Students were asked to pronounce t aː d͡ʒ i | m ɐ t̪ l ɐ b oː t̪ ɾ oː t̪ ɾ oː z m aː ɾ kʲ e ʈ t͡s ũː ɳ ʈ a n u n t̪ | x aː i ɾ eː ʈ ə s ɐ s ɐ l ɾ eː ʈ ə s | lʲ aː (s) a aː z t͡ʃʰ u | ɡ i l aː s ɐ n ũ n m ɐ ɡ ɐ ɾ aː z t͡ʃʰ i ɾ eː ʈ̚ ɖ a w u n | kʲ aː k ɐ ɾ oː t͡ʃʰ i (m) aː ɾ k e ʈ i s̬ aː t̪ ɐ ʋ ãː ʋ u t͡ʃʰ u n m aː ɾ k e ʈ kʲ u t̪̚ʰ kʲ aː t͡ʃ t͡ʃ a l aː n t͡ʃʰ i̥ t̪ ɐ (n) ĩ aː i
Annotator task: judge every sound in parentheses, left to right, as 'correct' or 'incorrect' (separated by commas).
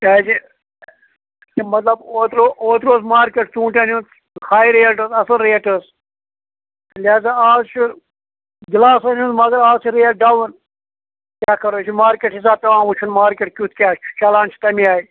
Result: incorrect, correct, incorrect